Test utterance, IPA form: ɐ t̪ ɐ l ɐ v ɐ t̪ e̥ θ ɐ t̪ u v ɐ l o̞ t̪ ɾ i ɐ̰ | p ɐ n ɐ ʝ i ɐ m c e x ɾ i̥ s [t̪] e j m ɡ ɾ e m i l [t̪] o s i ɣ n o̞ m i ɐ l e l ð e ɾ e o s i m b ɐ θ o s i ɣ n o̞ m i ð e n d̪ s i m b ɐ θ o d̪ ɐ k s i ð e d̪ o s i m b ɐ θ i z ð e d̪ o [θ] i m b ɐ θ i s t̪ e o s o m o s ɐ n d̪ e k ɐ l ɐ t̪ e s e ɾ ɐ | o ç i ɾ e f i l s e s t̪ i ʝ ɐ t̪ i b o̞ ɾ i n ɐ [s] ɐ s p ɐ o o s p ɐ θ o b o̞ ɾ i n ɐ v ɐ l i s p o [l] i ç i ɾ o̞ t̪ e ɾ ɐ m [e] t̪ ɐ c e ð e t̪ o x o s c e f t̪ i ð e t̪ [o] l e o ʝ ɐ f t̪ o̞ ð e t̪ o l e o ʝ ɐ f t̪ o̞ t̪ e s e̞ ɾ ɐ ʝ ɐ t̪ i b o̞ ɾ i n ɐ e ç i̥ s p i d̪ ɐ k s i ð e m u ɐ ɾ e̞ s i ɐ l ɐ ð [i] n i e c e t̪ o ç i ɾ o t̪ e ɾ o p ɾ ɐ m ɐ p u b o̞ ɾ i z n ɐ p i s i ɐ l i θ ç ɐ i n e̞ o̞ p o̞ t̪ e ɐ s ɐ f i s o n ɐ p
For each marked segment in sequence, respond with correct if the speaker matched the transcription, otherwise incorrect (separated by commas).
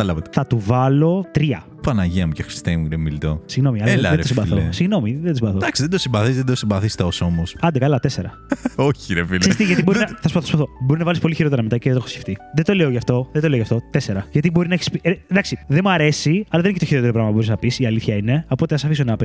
correct, correct, incorrect, incorrect, correct, correct, correct, incorrect